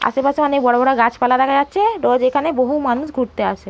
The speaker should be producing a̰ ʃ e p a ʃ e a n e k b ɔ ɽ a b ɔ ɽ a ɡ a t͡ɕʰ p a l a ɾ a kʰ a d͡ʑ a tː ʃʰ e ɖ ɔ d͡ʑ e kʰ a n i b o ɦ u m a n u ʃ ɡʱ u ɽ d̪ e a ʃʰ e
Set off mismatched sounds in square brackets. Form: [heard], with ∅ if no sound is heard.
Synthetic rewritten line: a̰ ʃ e p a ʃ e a n e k b ɔ ɽ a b ɔ ɽ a ɡ a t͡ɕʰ p a l a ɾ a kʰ a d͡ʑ a tː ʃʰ e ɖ ɔ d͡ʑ e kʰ a n [e] b o ɦ u m a n u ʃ ɡʱ u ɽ [t̪] e a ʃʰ e